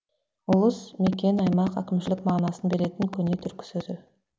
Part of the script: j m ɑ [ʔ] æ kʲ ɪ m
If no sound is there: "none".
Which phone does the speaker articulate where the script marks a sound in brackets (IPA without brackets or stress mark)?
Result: q